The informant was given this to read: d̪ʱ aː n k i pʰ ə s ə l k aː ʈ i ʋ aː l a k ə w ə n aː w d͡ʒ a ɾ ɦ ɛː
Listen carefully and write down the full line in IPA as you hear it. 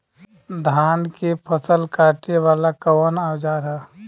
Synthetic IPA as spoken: d̪ʱ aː n k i pʰ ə s ə l k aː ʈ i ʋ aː l a k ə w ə n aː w d͡ʒ a ɾ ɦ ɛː